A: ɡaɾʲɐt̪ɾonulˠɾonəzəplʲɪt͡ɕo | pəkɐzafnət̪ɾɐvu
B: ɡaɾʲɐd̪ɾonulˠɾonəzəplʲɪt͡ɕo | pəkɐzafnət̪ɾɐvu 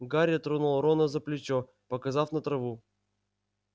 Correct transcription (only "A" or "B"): A